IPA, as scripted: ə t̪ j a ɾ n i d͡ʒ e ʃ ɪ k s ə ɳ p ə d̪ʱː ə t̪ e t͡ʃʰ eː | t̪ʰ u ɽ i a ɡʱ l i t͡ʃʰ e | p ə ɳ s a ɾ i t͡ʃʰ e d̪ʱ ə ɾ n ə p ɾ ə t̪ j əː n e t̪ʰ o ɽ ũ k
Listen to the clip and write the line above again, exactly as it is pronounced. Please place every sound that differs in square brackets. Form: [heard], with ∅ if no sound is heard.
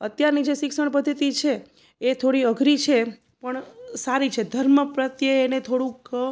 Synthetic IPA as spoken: ə t̪ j a ɾ n i d͡ʒ e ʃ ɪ k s ə ɳ p ə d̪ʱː ə t̪ [i] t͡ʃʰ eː | t̪ʰ [o] ɽ i [ə] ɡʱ [ɾ] i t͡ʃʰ e | p ə ɳ s a ɾ i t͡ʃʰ e d̪ʱ ə ɾ [m] ə p ɾ ə t̪ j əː n e t̪ʰ o ɽ ũ k